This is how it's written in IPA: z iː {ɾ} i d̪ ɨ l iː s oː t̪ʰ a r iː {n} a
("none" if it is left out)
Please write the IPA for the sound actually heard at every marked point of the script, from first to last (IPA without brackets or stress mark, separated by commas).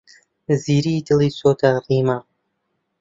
ɾ, m